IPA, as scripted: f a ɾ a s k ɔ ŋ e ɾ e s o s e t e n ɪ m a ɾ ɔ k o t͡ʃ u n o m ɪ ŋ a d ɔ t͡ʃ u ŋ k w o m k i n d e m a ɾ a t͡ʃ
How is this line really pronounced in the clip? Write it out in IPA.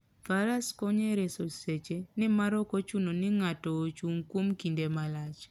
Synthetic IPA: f a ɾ a s k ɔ ɲ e ɾ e s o s e t͡ʃ e n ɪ m a ɾ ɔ k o t͡ʃ u n o n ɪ ŋ a t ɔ t͡ʃ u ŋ k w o m k i n d e m a l a t͡ʃ